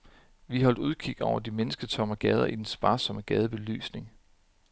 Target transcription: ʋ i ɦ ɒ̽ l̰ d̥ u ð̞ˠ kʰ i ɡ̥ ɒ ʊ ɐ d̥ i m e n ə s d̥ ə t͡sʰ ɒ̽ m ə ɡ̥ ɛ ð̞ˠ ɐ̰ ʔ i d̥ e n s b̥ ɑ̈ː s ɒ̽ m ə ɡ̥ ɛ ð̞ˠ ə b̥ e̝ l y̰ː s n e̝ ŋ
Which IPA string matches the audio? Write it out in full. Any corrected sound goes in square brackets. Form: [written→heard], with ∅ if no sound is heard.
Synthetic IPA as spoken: ʋ i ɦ ɒ̽ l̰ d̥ u ð̞ˠ kʰ i ɡ̥ ɒ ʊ ɐ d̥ i m e n ə s [d̥→ɡ̥] ə t͡sʰ ɒ̽ m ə ɡ̥ ɛ ð̞ˠ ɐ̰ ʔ i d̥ e n s b̥ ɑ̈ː s ɒ̽ m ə ɡ̥ ɛ ð̞ˠ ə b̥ e̝ l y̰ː s n e̝ ŋ